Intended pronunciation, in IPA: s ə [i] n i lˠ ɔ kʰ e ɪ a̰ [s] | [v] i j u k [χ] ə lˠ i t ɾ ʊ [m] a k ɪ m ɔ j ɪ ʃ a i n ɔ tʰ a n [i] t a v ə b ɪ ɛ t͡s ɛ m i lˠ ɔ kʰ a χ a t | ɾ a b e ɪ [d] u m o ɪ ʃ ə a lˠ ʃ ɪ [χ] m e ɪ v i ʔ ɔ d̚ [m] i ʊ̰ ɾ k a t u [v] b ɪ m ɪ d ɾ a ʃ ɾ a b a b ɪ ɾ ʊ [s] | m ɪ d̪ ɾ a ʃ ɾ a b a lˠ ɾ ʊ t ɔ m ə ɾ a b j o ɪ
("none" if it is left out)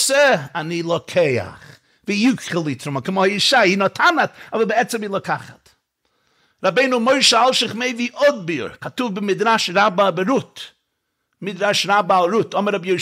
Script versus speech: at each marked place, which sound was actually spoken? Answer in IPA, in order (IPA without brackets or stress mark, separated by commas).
a, χ, v, χ, m, a, n, χ, b, v, t